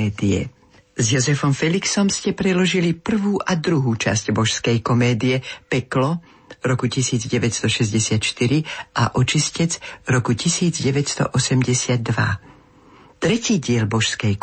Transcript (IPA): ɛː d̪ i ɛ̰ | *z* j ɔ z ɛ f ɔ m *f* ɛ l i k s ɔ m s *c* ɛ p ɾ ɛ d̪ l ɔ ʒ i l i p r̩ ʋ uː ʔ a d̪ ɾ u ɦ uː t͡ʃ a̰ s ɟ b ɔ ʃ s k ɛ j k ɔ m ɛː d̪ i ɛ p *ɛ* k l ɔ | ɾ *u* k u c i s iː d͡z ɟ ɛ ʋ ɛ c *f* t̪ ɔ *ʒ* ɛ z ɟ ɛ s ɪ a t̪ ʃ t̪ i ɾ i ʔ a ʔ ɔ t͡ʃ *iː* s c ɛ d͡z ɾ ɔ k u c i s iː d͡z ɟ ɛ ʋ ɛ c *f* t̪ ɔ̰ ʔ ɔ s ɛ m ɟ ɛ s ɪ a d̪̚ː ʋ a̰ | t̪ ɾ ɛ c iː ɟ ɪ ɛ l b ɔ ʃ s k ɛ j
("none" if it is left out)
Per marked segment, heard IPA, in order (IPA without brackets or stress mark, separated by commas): z, f, c, ɛ, ɔ, s, ʃ, i, s